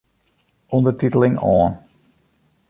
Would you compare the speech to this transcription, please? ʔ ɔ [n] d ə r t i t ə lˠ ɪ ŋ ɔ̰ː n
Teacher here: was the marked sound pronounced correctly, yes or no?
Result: yes